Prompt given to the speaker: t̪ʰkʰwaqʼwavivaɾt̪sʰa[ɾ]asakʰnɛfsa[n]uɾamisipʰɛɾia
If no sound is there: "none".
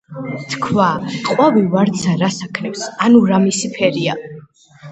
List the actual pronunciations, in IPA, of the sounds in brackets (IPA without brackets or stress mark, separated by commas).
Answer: ɾ, n